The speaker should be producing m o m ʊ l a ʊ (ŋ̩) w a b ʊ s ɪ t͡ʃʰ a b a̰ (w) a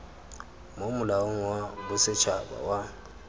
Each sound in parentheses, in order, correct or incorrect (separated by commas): correct, correct